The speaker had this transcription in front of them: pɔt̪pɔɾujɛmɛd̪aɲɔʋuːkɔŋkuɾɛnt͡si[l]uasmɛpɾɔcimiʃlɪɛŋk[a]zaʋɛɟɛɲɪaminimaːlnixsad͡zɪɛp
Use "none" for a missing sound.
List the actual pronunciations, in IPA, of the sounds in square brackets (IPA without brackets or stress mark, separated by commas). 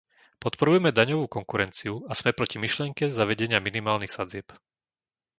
none, ɛ